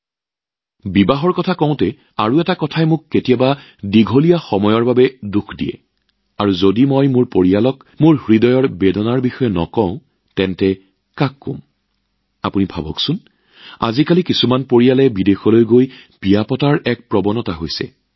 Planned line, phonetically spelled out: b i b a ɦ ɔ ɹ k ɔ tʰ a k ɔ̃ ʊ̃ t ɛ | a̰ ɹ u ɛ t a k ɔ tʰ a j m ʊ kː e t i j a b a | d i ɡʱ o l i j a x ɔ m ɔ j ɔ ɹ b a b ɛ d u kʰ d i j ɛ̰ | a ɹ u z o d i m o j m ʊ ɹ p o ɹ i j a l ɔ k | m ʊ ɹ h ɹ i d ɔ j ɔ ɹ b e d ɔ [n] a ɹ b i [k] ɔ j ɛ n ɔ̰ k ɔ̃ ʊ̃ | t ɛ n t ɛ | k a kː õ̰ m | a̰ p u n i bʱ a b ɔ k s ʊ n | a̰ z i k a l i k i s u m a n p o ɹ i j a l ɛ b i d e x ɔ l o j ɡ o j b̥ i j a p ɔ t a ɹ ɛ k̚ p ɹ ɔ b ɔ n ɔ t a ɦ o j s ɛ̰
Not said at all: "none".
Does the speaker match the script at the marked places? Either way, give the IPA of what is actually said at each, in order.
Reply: n, x

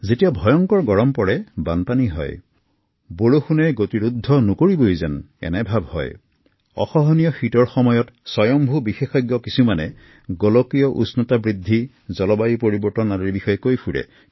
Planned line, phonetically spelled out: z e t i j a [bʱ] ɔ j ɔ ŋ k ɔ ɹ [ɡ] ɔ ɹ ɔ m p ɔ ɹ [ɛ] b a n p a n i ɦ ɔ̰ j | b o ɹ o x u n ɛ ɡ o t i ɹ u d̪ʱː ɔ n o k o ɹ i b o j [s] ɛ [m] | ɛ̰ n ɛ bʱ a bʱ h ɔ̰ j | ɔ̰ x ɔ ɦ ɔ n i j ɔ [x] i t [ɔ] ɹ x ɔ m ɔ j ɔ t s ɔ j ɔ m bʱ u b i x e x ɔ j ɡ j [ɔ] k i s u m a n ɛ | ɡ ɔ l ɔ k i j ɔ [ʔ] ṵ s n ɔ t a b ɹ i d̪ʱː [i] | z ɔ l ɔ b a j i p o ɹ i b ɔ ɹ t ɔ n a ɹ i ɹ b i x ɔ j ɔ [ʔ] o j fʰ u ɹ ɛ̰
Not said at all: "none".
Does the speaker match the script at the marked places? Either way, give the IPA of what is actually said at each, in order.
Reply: bʱ, ɡ, ɛ, z, n, x, ɔ, ɔ, ʔ, i, k

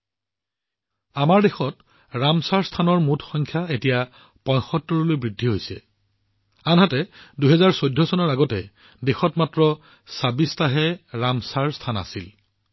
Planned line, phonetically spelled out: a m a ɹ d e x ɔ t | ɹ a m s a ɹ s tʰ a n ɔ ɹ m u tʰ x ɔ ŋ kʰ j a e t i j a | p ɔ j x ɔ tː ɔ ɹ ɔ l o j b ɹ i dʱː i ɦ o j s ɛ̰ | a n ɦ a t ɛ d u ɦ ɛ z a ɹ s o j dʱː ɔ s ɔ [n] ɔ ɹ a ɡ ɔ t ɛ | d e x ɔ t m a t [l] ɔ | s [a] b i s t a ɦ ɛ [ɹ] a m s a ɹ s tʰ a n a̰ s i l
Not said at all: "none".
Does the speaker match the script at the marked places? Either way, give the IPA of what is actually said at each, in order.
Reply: n, ɹ, a, ɹ

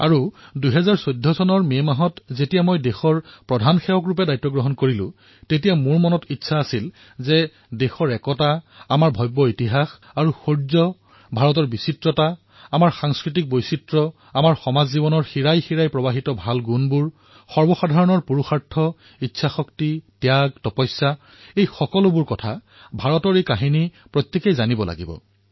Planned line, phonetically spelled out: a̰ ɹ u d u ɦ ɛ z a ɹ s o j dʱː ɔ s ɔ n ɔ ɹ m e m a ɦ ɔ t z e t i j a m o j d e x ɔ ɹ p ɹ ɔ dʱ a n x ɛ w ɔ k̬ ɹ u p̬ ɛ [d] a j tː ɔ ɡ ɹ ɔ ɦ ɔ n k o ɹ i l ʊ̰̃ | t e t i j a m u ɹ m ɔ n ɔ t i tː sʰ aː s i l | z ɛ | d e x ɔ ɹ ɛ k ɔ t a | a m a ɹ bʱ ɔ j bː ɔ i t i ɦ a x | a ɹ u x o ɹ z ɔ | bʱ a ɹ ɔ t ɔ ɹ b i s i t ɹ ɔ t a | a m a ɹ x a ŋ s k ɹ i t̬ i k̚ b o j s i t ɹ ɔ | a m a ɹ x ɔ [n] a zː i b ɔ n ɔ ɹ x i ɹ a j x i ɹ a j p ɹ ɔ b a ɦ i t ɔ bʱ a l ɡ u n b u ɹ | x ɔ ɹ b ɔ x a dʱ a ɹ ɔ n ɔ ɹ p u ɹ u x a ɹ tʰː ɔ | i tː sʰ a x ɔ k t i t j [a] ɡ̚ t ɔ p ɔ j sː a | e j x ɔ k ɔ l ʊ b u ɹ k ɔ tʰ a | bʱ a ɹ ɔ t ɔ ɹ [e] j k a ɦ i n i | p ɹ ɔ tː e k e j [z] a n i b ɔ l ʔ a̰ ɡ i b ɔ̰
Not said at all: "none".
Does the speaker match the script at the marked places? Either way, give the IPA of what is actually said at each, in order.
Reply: d, m, a, e, z

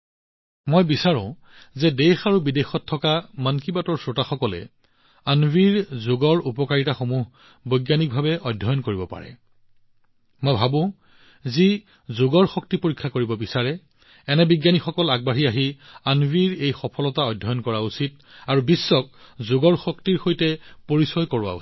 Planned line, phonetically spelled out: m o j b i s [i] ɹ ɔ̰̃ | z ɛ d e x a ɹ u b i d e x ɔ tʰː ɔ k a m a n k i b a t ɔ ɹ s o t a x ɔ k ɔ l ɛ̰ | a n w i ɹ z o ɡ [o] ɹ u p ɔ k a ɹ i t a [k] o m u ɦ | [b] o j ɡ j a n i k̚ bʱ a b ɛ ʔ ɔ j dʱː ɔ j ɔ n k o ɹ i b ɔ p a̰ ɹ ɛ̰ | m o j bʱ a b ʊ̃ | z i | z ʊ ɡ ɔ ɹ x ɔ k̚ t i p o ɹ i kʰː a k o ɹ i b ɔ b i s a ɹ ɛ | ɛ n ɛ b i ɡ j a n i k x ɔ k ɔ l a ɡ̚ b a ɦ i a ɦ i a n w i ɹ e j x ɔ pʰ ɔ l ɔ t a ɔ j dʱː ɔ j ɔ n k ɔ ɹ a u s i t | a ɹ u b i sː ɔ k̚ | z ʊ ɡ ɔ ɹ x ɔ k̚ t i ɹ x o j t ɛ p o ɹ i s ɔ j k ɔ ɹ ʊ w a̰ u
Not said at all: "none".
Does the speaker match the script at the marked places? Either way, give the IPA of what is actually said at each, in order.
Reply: a, ɔ, x, b

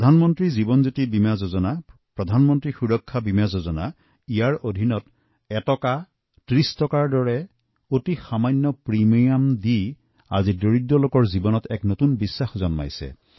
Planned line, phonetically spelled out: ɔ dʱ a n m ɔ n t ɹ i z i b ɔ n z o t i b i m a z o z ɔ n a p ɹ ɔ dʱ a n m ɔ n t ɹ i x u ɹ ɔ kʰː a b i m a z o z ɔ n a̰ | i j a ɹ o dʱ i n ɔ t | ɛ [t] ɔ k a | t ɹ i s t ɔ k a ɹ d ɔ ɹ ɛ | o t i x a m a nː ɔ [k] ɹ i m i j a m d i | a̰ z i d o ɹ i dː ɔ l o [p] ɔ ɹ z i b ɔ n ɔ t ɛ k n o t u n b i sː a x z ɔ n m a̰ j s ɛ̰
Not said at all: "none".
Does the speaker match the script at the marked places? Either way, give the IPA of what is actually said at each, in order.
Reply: t, p, k

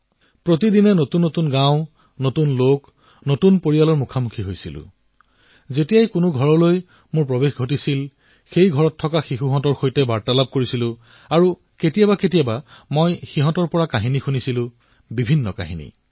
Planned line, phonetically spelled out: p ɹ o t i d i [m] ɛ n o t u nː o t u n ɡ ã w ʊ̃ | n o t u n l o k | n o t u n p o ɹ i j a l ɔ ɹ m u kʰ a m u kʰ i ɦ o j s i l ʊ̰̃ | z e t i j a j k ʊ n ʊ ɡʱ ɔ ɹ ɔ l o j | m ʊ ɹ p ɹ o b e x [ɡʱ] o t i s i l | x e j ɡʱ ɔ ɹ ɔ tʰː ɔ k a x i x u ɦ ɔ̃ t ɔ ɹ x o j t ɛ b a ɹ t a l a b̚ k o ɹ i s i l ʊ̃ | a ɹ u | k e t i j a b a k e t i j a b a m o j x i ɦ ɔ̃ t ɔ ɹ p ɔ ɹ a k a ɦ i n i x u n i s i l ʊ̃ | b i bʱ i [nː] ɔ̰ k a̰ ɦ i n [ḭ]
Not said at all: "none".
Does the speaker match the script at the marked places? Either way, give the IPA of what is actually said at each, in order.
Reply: n, ɡʱ, nː, ḭ

